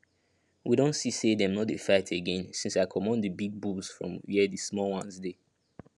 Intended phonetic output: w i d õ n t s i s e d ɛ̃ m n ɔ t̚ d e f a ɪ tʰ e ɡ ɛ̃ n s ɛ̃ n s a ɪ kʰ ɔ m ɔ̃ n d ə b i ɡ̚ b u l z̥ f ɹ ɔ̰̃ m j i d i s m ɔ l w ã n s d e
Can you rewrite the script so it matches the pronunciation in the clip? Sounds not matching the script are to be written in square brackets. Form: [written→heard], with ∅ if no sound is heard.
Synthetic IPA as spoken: w i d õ n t s i s e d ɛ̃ m n ɔ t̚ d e f a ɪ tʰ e ɡ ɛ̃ n s [ɛ̃→ĩ] n s a ɪ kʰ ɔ m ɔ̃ n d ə b i ɡ̚ b u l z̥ f ɹ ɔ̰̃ m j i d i s m ɔ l w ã n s d e

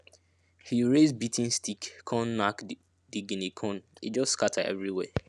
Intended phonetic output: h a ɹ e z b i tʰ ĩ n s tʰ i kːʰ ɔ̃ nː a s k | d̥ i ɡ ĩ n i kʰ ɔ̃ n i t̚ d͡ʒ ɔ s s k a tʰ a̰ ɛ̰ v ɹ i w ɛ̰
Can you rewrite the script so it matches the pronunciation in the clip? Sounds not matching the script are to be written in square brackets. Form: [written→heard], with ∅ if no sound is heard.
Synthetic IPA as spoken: h [a→i] ɹ e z b i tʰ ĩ n s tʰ i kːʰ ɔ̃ nː a [s→∅] k | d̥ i ɡ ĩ n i kʰ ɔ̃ n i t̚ d͡ʒ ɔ s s k a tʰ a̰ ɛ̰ v ɹ i w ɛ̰

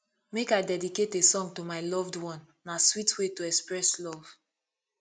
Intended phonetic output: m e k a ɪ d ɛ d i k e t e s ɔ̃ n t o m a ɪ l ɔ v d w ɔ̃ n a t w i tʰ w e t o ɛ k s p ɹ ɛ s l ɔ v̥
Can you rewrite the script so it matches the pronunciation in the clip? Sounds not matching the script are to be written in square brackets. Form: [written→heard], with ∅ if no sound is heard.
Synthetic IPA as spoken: m e k a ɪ d ɛ d i k e t e s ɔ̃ [n→ŋ] t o m a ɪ l ɔ v d w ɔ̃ [n→nː] a [t→s] w i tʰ w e t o ɛ k s p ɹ ɛ s l ɔ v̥

